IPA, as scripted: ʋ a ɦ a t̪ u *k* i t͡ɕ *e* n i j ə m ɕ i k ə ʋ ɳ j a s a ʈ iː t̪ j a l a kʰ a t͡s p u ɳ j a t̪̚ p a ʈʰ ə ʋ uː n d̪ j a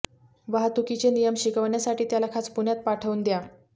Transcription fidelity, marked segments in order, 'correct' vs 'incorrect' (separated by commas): correct, correct